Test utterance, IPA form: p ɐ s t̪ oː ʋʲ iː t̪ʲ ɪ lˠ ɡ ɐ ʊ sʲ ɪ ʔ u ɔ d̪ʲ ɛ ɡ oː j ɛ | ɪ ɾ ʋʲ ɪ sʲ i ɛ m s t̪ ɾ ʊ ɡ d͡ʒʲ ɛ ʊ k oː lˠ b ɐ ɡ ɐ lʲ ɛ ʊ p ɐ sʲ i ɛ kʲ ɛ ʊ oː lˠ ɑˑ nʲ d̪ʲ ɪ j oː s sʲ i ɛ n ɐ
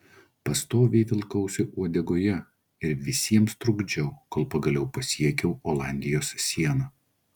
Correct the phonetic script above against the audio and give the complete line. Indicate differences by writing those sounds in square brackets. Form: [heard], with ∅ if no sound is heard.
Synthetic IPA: p ɐ s t̪ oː ʋʲ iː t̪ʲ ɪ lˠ [k] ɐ ʊ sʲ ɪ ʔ u ɔ d̪ʲ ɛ ɡ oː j ɛ | ɪ ɾ ʋʲ ɪ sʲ i ɛ m s t̪ ɾ ʊ ɡ d͡ʒʲ ɛ ʊ k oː lˠ [p] ɐ ɡ ɐ lʲ ɛ ʊ p ɐ sʲ i ɛ kʲ ɛ ʊ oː lˠ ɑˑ nʲ d̪ʲ ɪ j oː s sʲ i ɛ n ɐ

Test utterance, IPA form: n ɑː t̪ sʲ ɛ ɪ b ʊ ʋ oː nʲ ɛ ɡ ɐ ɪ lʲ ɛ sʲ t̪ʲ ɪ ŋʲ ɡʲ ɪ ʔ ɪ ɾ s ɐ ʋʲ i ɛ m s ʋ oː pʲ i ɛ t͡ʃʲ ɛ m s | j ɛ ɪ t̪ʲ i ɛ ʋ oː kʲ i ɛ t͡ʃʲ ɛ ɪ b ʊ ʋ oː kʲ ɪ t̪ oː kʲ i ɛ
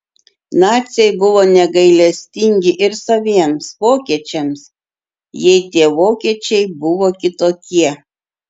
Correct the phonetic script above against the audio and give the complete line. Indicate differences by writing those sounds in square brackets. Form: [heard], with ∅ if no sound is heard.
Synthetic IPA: n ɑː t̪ sʲ ɛ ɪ b ʊ ʋ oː nʲ ɛ ɡ ɐ ɪ lʲ ɛ sʲ t̪ʲ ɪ ŋʲ ɡʲ ɪ ʔ ɪ ɾ s ɐ ʋʲ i ɛ m s ʋ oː [kʲ] i ɛ t͡ʃʲ ɛ m s | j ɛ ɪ t̪ʲ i ɛ ʋ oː kʲ i ɛ t͡ʃʲ ɛ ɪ b ʊ ʋ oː kʲ ɪ t̪ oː kʲ i ɛ

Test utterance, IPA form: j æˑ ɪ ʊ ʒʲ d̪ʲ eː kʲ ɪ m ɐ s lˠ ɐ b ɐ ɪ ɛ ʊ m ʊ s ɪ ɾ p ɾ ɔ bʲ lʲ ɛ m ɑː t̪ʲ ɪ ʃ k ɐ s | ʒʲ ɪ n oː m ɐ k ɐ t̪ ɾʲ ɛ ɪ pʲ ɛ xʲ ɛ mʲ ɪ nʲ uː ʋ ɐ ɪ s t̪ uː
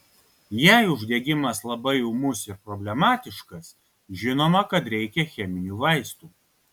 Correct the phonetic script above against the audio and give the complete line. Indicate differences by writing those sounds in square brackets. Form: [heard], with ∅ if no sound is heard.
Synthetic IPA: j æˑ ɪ ʊ ʒʲ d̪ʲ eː [ɡʲ] ɪ m ɐ s lˠ ɐ b ɐ ɪ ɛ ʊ m ʊ s ɪ ɾ p ɾ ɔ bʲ lʲ ɛ m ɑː t̪ʲ ɪ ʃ k ɐ s | ʒʲ ɪ n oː m ɐ k ɐ t̪ ɾʲ ɛ ɪ [kʲ] ɛ xʲ ɛ mʲ ɪ nʲ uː ʋ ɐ ɪ s t̪ uː

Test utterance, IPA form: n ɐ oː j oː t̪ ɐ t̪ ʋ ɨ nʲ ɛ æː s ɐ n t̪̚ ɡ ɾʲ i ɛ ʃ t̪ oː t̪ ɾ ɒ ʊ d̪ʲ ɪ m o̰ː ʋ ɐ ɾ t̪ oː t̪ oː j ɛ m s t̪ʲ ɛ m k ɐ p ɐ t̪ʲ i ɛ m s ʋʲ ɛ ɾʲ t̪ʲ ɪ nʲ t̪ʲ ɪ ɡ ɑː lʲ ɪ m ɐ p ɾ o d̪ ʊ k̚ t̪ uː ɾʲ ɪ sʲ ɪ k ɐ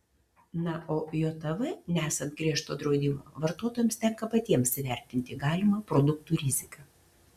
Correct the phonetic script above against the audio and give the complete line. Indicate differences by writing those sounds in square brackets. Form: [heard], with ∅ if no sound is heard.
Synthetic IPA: n ɐ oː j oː t̪ ɐ [∅] ʋ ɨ nʲ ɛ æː s ɐ n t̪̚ ɡ ɾʲ i ɛ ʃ t̪ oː [d̪] ɾ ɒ ʊ d̪ʲ ɪ m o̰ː ʋ ɐ ɾ t̪ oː t̪ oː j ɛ m s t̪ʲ ɛ [ŋ] k ɐ p ɐ t̪ʲ i ɛ m s ʋʲ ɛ ɾʲ t̪ʲ ɪ nʲ t̪ʲ ɪ ɡ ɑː lʲ ɪ m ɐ p ɾ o d̪ ʊ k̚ t̪ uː ɾʲ ɪ [zʲ] ɪ k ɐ

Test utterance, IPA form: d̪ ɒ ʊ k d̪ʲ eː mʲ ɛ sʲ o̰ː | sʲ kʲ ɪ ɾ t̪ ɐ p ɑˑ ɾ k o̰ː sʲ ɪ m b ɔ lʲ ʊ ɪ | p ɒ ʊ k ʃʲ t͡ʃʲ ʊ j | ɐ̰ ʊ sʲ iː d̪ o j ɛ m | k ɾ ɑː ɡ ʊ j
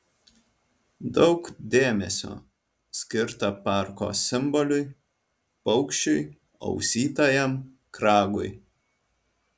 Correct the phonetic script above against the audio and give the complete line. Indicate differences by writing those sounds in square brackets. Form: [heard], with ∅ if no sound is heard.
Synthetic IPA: d̪ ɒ ʊ k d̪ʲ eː mʲ ɛ sʲ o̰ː | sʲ kʲ ɪ ɾ t̪ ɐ p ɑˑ ɾ k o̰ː sʲ ɪ m b ɔ lʲ ʊ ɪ | p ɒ ʊ k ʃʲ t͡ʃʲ ʊ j | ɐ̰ ʊ sʲ iː [t̪] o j ɛ m | k ɾ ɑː ɡ ʊ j

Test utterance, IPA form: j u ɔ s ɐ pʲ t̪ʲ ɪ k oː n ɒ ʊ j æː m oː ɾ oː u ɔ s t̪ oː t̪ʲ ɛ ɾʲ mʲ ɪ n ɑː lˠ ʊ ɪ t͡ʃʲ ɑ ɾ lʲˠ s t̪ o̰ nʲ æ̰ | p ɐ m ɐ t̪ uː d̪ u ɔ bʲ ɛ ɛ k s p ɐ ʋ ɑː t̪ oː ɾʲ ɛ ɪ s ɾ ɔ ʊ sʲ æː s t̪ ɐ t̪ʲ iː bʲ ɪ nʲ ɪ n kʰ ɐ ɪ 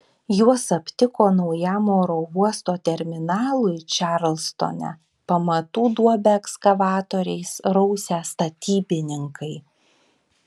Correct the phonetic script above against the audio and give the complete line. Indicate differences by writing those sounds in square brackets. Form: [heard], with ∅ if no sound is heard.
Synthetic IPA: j u ɔ s ɐ pʲ t̪ʲ ɪ k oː n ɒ ʊ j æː m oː ɾ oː u ɔ s t̪ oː t̪ʲ ɛ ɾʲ mʲ ɪ n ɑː lˠ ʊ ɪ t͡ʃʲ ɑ ɾ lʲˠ s t̪ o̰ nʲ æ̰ | p ɐ m ɐ t̪ uː d̪ u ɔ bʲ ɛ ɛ k s [k] ɐ ʋ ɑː t̪ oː ɾʲ ɛ ɪ s ɾ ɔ ʊ sʲ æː s t̪ ɐ t̪ʲ iː bʲ ɪ nʲ ɪ [ŋ] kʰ ɐ ɪ

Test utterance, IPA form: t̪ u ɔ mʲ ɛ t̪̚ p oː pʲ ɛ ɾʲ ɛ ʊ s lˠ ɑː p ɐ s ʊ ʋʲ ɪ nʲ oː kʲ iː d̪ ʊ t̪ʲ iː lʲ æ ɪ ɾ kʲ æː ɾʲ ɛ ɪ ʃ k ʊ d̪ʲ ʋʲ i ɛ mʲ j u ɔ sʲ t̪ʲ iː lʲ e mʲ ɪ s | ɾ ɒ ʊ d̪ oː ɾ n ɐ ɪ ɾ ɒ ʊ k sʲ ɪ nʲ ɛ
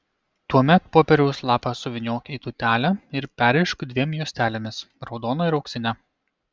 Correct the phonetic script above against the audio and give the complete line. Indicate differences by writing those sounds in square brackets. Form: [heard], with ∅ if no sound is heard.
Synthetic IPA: t̪ u ɔ mʲ ɛ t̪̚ p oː pʲ ɛ ɾʲ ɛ ʊ s lˠ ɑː p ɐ s ʊ ʋʲ ɪ nʲ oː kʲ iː [t̪] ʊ t̪ʲ [æː] lʲ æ ɪ ɾ [pʲ] æː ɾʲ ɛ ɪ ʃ k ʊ d̪ʲ ʋʲ i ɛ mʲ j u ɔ sʲ t̪ʲ [æː] lʲ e mʲ ɪ s | ɾ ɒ ʊ d̪ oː [∅] n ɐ ɪ ɾ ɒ ʊ k sʲ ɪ nʲ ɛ

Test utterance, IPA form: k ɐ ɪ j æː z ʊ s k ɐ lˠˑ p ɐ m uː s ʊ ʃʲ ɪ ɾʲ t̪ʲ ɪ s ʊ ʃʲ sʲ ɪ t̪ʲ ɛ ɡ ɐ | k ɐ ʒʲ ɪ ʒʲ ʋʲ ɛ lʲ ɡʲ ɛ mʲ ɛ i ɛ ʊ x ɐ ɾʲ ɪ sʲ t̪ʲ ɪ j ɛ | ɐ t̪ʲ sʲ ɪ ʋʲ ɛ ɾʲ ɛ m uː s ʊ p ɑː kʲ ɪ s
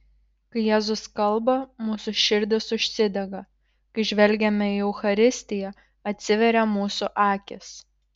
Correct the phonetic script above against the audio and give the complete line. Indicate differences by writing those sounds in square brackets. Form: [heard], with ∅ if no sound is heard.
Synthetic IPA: k ɐ ɪ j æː z ʊ s k ɐ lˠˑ [b] ɐ m uː s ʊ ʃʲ ɪ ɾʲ [d̪ʲ] ɪ s ʊ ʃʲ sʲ ɪ [d̪ʲ] ɛ ɡ ɐ | k ɐ [∅] ɪ ʒʲ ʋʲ ɛ lʲ ɡʲ ɛ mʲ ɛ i ɛ ʊ x ɐ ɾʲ ɪ sʲ t̪ʲ ɪ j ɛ | ɐ t̪ʲ sʲ ɪ ʋʲ ɛ ɾʲ ɛ m uː s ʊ [ʔ] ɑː kʲ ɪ s

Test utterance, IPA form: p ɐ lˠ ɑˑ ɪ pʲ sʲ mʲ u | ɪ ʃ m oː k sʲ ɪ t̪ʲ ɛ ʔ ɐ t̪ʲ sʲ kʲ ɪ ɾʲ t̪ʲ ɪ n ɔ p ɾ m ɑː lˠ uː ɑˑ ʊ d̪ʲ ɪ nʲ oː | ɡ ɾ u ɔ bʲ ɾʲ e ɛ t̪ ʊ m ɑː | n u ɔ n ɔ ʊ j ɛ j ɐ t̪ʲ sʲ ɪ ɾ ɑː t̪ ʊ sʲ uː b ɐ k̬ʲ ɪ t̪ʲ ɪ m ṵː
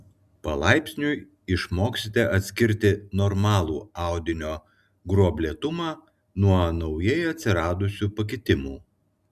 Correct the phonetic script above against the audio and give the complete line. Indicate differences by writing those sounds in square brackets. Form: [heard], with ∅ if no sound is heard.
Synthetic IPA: p ɐ lˠ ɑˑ ɪ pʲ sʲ [nʲ] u | ɪ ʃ m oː k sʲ ɪ t̪ʲ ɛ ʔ ɐ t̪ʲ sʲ kʲ ɪ ɾʲ t̪ʲ ɪ n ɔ [∅] ɾ m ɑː lˠ uː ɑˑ ʊ d̪ʲ ɪ nʲ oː | ɡ ɾ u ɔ bʲ [lʲ] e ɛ t̪ ʊ m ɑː | n u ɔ n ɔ ʊ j ɛ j ɐ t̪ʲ sʲ ɪ ɾ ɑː [d̪] ʊ sʲ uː [p] ɐ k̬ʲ ɪ t̪ʲ ɪ m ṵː

